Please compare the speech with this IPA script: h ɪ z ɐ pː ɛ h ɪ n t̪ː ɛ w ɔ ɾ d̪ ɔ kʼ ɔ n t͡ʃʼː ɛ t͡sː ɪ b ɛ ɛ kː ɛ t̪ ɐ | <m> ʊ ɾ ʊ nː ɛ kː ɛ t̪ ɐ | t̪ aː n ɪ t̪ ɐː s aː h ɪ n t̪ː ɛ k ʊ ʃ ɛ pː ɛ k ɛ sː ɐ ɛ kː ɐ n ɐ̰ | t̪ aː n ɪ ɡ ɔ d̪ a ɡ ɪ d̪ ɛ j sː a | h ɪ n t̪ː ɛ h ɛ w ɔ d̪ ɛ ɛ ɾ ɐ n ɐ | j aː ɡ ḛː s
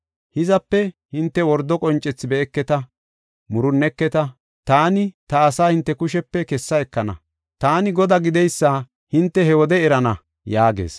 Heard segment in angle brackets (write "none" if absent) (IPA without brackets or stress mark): m